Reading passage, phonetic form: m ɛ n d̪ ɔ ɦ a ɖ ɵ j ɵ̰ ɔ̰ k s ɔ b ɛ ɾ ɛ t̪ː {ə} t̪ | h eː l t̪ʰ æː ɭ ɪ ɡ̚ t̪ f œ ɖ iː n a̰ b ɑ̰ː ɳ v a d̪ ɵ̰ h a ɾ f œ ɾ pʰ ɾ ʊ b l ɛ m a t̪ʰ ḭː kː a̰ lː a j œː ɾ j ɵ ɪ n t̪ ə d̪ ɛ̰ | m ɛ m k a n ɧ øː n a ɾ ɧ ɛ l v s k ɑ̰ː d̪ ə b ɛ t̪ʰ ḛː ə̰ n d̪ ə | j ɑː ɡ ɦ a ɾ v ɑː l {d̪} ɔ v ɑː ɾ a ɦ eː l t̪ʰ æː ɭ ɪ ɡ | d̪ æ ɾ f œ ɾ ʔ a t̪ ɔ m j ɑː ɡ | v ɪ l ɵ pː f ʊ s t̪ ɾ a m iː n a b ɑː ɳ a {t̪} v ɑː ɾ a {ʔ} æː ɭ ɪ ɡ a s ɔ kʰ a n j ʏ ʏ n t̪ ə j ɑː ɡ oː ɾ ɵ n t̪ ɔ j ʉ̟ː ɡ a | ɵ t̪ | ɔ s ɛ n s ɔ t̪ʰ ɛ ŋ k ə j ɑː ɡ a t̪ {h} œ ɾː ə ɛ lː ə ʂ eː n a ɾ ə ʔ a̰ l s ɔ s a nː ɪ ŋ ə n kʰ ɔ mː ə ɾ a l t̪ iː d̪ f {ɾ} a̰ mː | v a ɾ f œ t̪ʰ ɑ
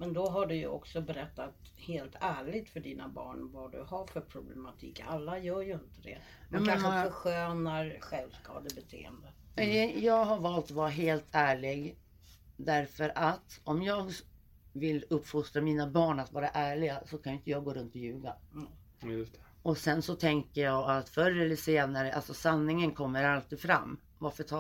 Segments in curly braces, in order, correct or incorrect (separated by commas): incorrect, incorrect, correct, correct, incorrect, correct